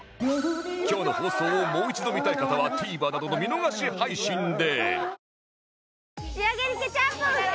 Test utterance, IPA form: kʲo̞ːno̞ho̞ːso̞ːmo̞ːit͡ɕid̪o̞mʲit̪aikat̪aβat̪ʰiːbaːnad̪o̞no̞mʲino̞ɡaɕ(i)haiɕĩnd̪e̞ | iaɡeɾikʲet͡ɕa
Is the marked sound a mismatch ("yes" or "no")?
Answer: no